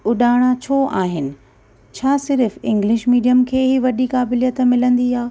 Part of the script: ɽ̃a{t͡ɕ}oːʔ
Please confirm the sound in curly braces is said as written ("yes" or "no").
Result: no